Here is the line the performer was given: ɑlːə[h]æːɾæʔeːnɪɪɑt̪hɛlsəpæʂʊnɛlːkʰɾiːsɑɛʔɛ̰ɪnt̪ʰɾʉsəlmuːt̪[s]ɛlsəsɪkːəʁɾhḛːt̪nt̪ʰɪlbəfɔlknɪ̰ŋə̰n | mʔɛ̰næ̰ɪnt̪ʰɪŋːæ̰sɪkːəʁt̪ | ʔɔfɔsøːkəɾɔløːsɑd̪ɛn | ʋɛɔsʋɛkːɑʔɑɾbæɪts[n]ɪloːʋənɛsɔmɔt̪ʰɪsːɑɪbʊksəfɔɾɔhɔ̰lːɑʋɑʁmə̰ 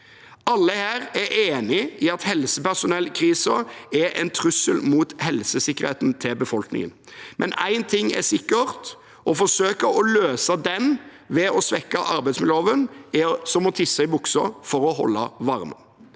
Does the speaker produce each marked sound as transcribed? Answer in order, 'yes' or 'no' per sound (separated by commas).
yes, no, no